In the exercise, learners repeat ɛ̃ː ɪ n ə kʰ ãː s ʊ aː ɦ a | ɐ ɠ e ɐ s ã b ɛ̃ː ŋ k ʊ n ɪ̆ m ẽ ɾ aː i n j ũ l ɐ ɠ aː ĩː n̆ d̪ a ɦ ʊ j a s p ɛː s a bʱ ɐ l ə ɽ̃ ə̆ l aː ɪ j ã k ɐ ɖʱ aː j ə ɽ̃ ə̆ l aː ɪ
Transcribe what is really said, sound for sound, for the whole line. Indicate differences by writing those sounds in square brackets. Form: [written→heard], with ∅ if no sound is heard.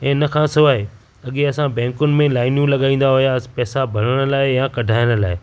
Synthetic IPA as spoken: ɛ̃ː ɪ n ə kʰ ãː s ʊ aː ɦ [a→e] | ɐ ɠ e ɐ s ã b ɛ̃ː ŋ k ʊ n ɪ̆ m ẽ [ɾ→l] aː [i→ɪ] n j ũ l ɐ ɠ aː ĩː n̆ d̪ a ɦ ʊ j a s p ɛː s a bʱ ɐ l ə ɽ̃ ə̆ l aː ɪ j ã k ɐ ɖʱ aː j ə ɽ̃ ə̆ l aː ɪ